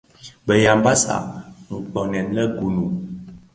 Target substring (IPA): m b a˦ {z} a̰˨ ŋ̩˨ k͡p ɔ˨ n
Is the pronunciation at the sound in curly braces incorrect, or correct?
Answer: incorrect